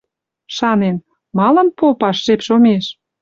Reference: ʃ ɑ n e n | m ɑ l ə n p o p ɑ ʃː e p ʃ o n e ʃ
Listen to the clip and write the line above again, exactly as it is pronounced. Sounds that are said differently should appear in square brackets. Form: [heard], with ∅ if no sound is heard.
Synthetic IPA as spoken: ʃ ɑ n e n | m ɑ l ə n p o p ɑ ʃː e p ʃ o [m] e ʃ